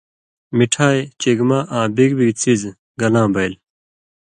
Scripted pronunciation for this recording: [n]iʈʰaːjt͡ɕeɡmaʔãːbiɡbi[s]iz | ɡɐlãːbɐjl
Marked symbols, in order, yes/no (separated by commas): no, no